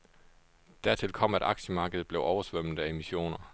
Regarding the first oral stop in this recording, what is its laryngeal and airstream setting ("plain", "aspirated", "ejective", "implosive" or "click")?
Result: plain